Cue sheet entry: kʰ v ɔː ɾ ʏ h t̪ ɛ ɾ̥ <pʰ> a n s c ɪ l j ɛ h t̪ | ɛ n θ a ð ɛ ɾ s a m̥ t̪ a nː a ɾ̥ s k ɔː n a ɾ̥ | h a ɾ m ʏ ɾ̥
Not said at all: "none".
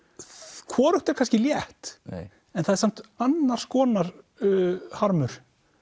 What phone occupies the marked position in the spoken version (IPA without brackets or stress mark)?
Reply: kʰ